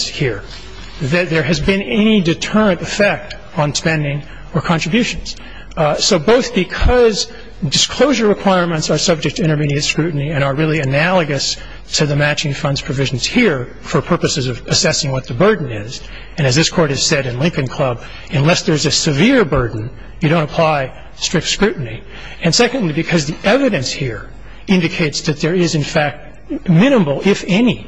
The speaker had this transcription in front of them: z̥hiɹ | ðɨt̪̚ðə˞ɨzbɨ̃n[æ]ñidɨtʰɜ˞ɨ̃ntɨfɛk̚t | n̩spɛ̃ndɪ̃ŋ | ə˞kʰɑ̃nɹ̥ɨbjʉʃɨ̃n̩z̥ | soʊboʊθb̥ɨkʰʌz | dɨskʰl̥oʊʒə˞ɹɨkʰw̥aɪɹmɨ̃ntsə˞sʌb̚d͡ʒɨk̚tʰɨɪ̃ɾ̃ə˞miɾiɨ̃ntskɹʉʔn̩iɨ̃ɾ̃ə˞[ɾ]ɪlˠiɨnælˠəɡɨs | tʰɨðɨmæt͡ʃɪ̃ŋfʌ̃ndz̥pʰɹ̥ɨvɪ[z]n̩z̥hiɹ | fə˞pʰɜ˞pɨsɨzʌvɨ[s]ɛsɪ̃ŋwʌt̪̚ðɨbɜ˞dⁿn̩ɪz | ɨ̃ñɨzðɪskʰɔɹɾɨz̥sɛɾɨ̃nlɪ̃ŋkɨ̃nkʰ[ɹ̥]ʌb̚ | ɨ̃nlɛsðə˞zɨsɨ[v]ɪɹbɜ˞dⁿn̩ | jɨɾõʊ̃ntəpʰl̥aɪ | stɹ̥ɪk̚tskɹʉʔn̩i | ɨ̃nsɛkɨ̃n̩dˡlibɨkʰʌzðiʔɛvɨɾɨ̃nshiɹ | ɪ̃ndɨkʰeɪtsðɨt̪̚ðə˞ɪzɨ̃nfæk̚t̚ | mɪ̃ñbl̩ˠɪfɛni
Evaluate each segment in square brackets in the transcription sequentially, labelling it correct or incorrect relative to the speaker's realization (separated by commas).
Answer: incorrect, incorrect, incorrect, correct, incorrect, correct